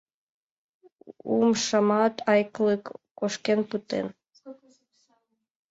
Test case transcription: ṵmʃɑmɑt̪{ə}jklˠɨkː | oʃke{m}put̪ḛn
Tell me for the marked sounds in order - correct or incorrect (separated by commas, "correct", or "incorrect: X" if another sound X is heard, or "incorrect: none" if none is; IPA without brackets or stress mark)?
incorrect: ɑ, incorrect: n